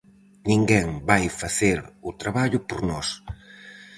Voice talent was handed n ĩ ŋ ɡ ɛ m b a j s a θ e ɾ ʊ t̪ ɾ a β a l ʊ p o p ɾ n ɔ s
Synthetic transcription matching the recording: n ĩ ŋ ɡ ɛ ŋ b a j f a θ e ɾ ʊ t̪ ɾ a β a ʎ ʊ p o ɾ n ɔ s